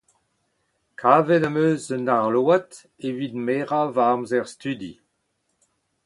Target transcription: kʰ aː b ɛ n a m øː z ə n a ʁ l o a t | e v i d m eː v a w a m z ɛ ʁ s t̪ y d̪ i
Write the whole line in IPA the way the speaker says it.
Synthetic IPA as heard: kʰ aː v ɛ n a m øː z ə n a ʁ l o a t | e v i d m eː ʁ a v a m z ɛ ʁ s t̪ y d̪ i